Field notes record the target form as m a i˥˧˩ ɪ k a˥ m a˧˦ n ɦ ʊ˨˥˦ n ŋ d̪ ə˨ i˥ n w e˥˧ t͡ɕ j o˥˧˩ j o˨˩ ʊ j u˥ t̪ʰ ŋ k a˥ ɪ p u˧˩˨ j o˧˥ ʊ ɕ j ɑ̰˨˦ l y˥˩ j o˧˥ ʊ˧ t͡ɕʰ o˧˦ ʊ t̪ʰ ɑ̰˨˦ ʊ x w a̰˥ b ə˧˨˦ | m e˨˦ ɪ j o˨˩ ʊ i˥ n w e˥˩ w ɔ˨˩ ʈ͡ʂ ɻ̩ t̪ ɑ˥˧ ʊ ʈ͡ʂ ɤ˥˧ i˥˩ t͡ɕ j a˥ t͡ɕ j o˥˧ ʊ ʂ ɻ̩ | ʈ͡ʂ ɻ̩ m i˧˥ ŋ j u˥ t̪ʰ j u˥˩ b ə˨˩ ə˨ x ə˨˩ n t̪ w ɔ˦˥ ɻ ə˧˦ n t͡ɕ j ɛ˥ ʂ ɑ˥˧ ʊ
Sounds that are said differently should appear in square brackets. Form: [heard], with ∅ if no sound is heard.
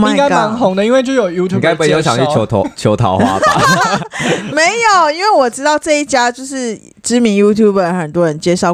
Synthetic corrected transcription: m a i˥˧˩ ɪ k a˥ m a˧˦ n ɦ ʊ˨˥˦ [∅] ŋ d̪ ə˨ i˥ n w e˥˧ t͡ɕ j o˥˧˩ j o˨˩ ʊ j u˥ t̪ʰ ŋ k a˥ ɪ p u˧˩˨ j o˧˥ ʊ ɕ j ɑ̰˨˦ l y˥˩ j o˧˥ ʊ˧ t͡ɕʰ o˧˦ ʊ t̪ʰ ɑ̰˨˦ ʊ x w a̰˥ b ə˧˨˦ | m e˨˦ ɪ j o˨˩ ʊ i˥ n w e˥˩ w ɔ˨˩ ʈ͡ʂ ɻ̩ t̪ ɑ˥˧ ʊ ʈ͡ʂ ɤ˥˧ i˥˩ t͡ɕ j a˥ t͡ɕ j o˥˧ ʊ ʂ ɻ̩ | ʈ͡ʂ ɻ̩ m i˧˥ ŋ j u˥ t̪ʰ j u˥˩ b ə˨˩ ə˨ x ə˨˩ n t̪ w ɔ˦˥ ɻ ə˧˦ n t͡ɕ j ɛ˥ ʂ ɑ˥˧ ʊ